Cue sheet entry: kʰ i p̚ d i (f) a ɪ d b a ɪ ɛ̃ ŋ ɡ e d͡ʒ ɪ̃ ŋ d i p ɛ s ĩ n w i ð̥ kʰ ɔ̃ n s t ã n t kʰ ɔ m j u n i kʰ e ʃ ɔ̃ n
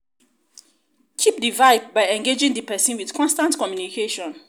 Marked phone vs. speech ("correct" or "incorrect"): incorrect